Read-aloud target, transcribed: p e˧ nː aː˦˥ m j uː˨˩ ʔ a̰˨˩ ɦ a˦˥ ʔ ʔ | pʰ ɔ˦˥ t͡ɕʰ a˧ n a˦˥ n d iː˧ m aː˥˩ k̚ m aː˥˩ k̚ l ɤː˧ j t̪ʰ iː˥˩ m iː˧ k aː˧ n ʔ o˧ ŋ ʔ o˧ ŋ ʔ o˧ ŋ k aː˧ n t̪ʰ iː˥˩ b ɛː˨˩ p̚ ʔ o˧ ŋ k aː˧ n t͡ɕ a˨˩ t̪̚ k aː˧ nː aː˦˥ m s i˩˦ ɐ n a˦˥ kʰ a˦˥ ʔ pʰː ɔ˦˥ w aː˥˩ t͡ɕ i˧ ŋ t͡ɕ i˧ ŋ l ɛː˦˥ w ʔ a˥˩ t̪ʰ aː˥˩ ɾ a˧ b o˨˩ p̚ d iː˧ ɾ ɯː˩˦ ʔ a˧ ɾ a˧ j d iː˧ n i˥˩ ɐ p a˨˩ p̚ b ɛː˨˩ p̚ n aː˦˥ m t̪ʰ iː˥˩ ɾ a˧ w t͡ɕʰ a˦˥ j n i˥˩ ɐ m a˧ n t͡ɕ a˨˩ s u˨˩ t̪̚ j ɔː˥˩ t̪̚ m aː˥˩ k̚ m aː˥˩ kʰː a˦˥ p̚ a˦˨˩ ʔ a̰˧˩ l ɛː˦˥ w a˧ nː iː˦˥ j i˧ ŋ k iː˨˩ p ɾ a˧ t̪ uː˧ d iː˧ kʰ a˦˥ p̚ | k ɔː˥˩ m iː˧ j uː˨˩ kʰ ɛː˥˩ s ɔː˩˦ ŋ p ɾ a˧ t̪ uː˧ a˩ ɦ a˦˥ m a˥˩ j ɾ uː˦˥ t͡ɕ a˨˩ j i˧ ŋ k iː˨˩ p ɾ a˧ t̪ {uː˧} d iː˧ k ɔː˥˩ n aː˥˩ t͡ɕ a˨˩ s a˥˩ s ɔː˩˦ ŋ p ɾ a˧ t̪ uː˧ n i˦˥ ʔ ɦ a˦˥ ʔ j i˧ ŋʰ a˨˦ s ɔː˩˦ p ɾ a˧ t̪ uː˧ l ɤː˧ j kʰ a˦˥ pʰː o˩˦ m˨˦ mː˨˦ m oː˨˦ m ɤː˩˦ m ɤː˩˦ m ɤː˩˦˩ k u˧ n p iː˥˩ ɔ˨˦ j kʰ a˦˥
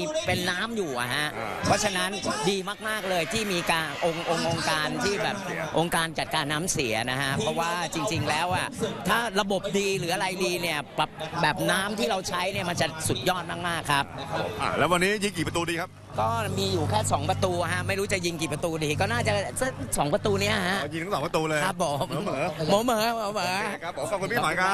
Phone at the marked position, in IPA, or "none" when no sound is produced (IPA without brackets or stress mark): uː˧